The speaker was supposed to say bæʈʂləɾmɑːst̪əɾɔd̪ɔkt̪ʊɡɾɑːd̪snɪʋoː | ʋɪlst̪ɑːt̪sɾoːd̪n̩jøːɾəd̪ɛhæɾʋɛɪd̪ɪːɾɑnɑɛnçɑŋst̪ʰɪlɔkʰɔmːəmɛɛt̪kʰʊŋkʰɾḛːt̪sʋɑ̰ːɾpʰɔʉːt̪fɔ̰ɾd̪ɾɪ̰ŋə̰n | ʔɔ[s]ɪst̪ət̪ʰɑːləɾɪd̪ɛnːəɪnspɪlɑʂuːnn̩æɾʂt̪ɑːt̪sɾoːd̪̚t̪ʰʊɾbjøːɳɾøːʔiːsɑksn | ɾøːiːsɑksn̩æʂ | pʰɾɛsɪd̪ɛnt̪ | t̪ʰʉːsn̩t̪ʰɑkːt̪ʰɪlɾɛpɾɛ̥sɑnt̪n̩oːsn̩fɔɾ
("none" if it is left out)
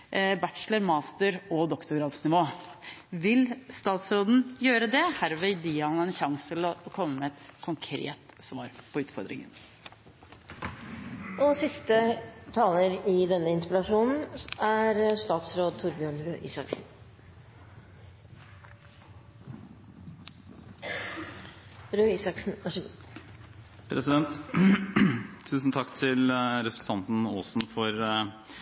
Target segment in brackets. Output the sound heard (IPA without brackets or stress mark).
s